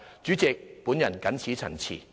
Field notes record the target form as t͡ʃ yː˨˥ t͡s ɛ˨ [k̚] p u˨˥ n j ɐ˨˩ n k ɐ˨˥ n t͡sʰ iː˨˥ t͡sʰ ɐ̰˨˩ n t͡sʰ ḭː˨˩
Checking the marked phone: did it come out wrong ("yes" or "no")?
no